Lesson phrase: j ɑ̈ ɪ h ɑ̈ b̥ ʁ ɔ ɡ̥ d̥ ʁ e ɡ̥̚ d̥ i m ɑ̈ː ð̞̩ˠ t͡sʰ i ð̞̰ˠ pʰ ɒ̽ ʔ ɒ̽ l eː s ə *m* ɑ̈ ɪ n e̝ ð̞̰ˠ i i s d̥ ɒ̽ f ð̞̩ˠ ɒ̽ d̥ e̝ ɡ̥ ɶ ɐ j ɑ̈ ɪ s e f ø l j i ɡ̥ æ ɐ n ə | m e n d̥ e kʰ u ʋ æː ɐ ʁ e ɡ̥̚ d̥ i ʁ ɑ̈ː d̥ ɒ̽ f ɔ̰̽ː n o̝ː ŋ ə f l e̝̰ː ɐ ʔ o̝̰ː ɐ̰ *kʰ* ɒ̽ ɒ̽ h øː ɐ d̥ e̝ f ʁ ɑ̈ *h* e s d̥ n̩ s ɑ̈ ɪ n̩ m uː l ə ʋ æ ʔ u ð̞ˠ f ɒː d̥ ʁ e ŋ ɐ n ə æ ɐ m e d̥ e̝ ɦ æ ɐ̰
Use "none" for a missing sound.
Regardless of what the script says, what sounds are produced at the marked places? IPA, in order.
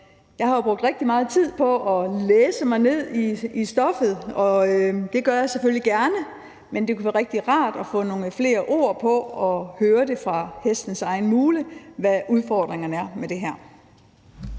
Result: m, pʰ, h

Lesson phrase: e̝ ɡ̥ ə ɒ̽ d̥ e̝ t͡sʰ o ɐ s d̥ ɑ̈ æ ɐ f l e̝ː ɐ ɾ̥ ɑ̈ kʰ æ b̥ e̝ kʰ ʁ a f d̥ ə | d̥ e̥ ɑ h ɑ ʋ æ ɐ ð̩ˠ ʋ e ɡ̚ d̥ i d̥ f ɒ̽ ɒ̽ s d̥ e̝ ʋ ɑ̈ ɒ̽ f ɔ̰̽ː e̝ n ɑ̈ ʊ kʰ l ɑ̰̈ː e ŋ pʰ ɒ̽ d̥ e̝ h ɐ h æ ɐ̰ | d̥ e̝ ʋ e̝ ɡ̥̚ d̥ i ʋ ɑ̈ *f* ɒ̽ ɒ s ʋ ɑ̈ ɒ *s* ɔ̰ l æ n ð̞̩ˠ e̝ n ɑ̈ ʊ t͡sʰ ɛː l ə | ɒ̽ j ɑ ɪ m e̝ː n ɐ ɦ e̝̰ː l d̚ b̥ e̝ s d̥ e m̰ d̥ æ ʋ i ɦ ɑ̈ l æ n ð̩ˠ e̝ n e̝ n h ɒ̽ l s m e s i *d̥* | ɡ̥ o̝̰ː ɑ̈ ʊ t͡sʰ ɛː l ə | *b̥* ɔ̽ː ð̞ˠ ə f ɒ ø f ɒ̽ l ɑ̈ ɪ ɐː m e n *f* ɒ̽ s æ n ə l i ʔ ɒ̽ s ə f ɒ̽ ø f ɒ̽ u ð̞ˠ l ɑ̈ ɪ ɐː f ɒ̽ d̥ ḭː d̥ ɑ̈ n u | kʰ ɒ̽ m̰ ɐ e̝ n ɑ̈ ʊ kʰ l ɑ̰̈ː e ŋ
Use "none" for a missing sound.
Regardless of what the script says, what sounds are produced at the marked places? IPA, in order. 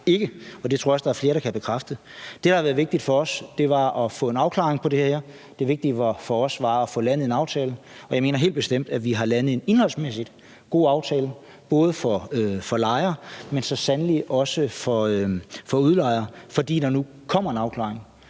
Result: f, f, d̥, b̥, s

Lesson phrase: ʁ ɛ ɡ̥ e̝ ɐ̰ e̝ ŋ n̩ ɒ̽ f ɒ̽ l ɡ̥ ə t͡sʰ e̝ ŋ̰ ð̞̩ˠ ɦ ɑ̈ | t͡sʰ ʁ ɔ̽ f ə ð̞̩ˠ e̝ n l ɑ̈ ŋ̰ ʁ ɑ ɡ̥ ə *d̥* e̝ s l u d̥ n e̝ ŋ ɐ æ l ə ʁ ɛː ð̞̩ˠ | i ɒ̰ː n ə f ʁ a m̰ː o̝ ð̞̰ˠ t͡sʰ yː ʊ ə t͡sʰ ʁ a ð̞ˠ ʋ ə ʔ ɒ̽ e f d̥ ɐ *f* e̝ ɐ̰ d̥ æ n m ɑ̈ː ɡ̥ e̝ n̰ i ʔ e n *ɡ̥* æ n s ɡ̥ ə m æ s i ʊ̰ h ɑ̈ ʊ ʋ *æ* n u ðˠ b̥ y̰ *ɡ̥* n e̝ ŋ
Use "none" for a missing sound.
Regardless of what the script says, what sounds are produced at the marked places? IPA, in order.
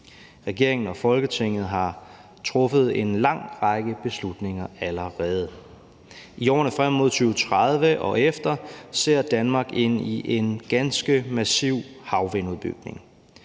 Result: b̥, s, ɡ̥, e, ɡ̥

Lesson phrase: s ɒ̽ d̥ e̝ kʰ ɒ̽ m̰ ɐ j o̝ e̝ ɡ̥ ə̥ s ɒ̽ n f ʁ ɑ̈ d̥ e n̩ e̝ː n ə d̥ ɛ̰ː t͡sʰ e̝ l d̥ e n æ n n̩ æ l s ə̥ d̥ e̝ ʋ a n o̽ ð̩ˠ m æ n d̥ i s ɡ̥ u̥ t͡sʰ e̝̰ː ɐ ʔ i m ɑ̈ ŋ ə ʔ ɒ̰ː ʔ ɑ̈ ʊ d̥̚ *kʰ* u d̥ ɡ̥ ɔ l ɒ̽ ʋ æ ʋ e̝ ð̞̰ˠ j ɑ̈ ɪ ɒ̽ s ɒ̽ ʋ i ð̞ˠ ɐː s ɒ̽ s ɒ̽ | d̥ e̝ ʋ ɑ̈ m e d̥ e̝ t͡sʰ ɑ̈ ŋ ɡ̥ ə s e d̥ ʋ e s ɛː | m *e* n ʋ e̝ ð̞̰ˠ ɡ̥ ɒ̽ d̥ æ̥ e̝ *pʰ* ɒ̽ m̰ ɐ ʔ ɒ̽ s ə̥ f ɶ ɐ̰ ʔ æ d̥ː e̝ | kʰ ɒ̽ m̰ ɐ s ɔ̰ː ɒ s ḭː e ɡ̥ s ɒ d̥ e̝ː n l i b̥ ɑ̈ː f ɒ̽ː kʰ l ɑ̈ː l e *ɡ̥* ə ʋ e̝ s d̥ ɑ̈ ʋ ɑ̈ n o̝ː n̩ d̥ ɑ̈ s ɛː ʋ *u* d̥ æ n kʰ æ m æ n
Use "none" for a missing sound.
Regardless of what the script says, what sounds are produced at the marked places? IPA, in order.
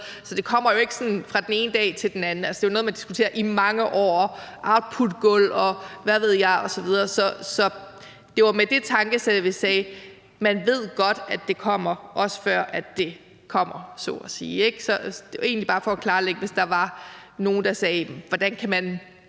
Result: pʰ, æ, kʰ, ɡ̥, ɒ

